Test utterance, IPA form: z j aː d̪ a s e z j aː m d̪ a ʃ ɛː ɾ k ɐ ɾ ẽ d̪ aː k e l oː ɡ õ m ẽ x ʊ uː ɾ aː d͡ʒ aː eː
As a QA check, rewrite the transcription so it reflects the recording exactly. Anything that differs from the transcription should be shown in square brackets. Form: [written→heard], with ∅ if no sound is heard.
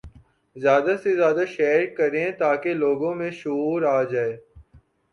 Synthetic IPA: z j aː d̪ a s e z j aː [m→∅] d̪ a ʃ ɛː ɾ k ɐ ɾ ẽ [d̪→t̪] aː k e l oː ɡ õ m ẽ [x→ʃ] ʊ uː ɾ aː d͡ʒ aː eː